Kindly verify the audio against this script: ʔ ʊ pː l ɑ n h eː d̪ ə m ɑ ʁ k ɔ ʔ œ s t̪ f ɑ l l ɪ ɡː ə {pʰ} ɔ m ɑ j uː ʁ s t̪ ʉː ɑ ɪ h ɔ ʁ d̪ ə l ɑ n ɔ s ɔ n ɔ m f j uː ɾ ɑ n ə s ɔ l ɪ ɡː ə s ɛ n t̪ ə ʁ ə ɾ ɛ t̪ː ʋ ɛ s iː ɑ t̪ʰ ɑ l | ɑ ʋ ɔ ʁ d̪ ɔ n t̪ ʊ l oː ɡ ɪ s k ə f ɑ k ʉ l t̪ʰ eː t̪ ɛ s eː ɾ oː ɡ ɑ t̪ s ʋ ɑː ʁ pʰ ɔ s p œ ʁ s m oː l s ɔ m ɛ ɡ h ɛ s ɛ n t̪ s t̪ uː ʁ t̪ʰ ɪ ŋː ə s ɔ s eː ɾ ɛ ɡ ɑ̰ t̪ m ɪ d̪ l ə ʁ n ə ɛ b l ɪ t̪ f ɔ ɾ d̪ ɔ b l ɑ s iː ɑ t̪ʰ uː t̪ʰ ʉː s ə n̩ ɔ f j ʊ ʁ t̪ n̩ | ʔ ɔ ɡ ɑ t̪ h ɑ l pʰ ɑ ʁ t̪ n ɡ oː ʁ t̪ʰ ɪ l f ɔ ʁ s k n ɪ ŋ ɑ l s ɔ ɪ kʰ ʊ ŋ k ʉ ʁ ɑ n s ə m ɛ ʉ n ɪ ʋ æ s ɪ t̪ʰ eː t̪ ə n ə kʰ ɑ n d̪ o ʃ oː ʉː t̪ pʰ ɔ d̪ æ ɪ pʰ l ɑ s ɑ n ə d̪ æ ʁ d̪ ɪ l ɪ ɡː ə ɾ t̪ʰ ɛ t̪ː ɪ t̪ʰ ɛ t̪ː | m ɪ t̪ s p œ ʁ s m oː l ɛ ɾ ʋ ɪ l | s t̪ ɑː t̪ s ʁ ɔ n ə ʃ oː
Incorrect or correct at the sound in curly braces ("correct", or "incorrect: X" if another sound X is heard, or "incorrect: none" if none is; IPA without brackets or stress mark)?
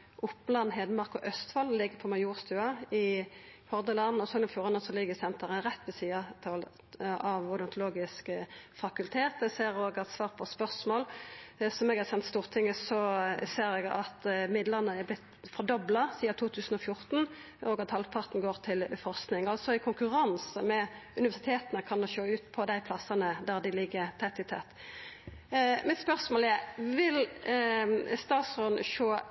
correct